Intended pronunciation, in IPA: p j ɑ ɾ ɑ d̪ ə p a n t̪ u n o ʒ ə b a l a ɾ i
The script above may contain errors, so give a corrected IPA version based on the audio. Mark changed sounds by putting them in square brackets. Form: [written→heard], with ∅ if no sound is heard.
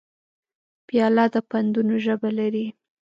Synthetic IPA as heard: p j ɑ [ɾ→l] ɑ d̪ ə p a n [t̪→d̪] u n o ʒ ə b a l a ɾ i